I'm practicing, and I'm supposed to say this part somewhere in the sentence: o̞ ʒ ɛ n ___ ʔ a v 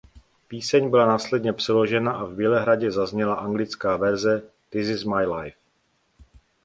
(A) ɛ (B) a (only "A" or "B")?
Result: B